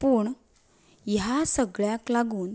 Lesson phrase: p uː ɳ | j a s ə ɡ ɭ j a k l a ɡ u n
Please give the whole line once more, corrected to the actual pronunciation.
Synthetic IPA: p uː ɳ | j a s ə ɡ ɭ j a k l a ɡ uː n